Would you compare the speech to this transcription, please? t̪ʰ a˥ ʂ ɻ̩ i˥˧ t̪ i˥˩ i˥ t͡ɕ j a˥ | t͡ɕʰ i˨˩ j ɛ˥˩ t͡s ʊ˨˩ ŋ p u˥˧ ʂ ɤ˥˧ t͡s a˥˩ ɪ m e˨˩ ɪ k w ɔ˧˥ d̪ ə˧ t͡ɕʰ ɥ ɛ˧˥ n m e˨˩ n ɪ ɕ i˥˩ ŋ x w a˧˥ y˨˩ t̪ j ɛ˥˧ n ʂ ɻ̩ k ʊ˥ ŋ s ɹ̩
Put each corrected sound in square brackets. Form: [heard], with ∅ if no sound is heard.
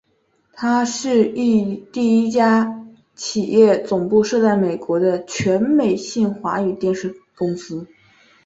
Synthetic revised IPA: t̪ʰ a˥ ʂ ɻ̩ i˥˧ t̪ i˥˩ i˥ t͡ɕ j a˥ | t͡ɕʰ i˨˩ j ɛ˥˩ t͡s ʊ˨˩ ŋ p u˥˧ ʂ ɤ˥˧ t͡s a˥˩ ɪ m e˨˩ ɪ k w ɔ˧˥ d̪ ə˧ t͡ɕʰ ɥ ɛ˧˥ n m e˨˩ [∅] ɪ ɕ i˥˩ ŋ x w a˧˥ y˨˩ t̪ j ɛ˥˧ n ʂ ɻ̩ k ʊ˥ ŋ s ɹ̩